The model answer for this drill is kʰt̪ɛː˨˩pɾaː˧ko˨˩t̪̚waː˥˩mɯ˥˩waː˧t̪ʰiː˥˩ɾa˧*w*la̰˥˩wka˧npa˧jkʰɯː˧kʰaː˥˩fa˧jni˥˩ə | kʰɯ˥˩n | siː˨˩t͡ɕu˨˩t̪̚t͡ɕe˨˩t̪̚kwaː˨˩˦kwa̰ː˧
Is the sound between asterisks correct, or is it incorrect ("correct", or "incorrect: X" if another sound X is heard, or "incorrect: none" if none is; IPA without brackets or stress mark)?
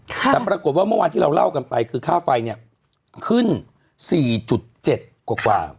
correct